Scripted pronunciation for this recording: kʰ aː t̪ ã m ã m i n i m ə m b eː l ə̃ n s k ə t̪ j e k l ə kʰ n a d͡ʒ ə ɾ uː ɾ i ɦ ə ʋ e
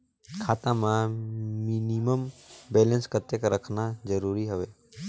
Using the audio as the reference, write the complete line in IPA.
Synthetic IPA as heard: kʰ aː t̪ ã m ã m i n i m ə m b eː l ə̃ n s k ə t̪ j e k ɾ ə kʰ n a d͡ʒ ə ɾ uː ɾ i ɦ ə ʋ e